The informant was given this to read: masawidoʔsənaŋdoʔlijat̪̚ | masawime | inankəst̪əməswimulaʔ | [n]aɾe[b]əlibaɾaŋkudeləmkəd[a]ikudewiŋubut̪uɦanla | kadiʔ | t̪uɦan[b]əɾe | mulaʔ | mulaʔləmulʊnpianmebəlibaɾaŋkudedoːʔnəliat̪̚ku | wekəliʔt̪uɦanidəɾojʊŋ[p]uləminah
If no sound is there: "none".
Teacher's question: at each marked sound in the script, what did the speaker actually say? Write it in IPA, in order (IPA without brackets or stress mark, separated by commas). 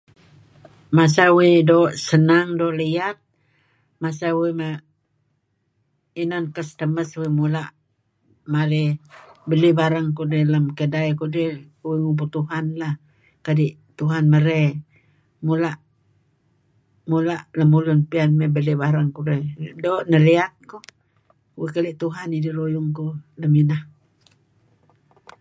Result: m, b, a, m, k